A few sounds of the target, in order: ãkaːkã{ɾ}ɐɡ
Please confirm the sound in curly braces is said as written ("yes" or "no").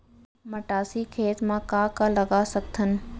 no